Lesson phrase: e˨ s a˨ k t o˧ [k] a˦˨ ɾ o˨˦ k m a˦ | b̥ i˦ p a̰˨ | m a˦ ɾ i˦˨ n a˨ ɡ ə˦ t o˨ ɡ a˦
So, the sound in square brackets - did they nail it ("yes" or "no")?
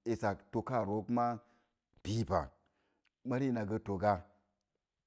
yes